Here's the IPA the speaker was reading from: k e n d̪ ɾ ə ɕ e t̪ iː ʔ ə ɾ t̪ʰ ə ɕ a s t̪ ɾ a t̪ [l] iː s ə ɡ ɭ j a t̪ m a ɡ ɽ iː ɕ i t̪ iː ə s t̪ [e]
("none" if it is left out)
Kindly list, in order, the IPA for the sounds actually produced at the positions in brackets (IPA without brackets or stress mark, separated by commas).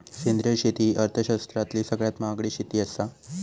l, a